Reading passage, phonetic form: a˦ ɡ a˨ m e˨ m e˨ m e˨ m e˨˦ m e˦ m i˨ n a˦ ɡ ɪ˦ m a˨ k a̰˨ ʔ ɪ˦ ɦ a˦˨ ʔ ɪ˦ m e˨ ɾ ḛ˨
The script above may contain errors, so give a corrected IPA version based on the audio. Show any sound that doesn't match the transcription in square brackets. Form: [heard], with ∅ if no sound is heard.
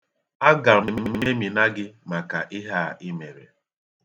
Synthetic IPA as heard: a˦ ɡ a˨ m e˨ m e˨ m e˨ m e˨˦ m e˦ m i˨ n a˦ ɡ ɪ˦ m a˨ k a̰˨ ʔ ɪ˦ ɦ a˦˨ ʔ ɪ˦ m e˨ ɾ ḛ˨

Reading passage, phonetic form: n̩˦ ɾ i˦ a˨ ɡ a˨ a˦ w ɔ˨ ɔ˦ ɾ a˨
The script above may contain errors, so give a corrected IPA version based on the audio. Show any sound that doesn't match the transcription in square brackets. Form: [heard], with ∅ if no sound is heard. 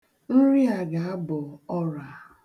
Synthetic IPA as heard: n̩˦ ɾ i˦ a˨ ɡ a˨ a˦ [b] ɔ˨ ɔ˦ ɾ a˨

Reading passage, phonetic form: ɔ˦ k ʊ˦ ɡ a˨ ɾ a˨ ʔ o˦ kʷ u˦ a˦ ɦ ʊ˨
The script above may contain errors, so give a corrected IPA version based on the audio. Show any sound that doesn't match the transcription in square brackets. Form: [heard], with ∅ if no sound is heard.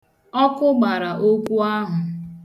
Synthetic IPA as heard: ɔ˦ k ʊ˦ [ɡ͡b] a˨ ɾ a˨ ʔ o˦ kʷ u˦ a˦ ɦ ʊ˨

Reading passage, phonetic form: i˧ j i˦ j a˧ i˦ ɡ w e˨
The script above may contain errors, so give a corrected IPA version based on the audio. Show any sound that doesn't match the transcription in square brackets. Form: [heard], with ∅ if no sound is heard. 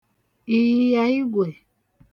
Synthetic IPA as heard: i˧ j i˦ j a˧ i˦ ɡ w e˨

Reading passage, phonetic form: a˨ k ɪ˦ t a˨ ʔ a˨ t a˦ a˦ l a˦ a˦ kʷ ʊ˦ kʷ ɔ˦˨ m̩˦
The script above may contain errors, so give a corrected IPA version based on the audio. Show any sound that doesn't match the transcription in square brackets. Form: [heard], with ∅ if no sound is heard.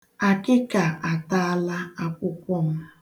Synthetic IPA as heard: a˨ k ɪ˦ [k] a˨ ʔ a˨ t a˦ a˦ l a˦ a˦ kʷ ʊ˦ kʷ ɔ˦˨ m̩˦

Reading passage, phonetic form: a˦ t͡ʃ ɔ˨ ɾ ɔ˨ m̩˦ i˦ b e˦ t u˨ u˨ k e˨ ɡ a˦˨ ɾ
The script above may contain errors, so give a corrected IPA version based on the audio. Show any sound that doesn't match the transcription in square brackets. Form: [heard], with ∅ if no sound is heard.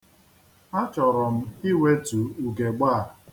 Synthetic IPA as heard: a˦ t͡ʃ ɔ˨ ɾ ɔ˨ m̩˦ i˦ [w] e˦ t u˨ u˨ [ɡ] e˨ [ɡ͡b] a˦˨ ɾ

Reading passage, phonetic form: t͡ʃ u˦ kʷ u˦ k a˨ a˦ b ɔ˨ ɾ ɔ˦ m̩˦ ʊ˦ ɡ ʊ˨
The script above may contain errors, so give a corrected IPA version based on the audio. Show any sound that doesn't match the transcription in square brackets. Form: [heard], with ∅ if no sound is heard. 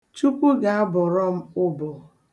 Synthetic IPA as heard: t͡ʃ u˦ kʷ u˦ [ɡ] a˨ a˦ b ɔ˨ ɾ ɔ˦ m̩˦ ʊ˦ [b] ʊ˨

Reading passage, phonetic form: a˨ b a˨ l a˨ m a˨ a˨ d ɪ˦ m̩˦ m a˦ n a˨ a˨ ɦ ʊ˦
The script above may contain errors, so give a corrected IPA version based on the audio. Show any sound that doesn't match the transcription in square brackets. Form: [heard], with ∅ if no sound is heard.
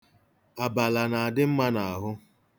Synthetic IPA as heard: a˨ b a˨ l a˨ [n] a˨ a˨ d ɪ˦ m̩˦ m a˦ n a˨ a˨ ɦ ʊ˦

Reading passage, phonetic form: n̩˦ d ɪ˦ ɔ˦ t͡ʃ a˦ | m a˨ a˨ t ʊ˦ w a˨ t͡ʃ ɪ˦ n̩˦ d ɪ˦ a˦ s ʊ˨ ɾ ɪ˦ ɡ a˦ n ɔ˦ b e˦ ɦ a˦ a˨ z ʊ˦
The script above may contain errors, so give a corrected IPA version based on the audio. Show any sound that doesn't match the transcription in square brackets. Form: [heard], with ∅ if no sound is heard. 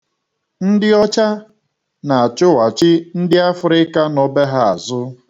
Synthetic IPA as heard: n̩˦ d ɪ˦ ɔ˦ t͡ʃ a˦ | [n] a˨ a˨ [t͡ʃ] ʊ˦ w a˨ t͡ʃ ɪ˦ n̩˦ d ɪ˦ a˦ [f] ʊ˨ ɾ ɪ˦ [k] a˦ n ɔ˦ b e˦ ɦ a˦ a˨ z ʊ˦

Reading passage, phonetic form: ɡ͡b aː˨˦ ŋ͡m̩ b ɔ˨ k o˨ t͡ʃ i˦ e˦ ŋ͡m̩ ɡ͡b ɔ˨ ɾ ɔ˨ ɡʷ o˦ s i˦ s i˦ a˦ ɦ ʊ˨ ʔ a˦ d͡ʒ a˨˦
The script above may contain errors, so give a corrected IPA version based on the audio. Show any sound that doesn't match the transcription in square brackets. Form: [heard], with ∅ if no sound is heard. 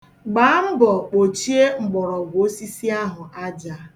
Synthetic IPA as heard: ɡ͡b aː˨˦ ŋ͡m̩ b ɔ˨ [k͡p] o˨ t͡ʃ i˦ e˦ ŋ͡m̩ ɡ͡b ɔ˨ ɾ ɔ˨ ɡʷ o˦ s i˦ s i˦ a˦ ɦ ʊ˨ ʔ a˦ d͡ʒ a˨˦

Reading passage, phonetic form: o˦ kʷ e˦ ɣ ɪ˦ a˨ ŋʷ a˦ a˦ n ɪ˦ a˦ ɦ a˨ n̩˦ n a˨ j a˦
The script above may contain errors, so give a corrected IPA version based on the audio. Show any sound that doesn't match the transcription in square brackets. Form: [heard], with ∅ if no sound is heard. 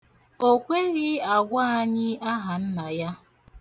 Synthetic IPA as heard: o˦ kʷ e˦ ɣ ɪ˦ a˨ [ɡʷ] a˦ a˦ [ɲ] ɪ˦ a˦ ɦ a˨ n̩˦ n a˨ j a˦

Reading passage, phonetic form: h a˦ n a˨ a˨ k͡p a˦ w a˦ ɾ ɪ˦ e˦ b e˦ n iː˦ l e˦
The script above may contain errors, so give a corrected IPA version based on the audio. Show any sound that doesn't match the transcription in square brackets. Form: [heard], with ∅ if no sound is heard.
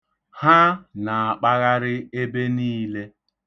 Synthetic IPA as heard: h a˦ n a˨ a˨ k͡p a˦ [ɣ] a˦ ɾ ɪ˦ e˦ b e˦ n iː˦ l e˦

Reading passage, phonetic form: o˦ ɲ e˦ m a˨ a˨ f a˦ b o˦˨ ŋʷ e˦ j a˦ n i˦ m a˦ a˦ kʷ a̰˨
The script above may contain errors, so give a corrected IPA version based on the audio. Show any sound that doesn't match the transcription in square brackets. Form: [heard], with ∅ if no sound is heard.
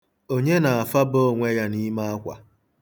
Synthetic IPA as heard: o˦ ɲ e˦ [n] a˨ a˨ f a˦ b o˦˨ ŋʷ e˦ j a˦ n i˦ m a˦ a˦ kʷ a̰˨

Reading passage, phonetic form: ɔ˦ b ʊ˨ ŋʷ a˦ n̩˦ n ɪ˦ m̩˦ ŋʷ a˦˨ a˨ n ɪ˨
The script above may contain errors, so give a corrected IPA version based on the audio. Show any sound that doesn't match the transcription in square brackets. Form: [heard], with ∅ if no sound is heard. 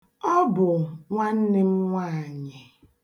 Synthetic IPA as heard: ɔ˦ b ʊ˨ ŋʷ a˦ n̩˦ n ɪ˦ m̩˦ ŋʷ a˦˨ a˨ [ɲ] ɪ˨

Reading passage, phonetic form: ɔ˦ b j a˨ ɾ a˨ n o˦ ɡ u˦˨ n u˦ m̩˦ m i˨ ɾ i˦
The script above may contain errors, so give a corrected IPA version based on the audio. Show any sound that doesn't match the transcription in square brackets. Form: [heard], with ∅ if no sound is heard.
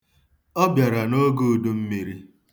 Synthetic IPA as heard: ɔ˦ b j a˨ ɾ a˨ n o˦ ɡ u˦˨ [d] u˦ m̩˦ m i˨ ɾ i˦

